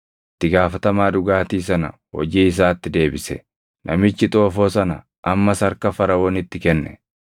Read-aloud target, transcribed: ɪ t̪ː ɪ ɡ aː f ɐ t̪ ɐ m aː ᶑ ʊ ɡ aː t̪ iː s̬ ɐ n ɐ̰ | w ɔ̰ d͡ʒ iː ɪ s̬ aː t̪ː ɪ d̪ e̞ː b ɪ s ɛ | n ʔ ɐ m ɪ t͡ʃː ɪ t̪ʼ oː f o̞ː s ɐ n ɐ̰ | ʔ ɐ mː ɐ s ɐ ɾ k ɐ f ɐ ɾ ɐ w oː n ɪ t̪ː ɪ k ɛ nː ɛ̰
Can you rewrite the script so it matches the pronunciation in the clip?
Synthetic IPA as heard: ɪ t̪ː ɪ ɡ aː f ɐ t̪ ɐ m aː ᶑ ʊ ɡ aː t̪ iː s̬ ɐ n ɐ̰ | w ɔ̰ d͡ʒ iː ɪ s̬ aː t̪ː ɪ d̪ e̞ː b ɪ s ɛ | n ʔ ɐ m ɪ t͡ʃː ɪ t̪ʼ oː f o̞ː s ɐ n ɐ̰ | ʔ ɐ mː ɐ s ɐ ɾ k ɐ f ɐ ɾ ɐ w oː n ɪ t̪ː ɪ k ɛ nː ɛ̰